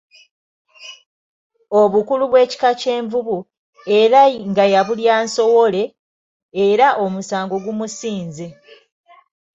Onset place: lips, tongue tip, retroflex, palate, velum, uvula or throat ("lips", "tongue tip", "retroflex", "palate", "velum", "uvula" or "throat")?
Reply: lips